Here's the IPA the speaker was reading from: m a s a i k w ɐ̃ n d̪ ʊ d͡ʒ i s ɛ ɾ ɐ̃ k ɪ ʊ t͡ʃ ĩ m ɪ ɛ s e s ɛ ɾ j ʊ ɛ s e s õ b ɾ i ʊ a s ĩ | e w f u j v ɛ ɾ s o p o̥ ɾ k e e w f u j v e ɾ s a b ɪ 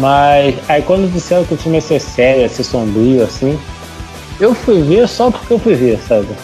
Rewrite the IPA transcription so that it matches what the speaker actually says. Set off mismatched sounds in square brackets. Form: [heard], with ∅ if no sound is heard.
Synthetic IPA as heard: m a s a i k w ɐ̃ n d̪ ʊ d͡ʒ i s ɛ ɾ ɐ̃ k ɪ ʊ t͡ʃ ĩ m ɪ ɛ s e s ɛ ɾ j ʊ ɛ s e s õ b ɾ i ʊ a s ĩ | e w f u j v [e] ɾ s [ɔ] p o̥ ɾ k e e w f u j v e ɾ s a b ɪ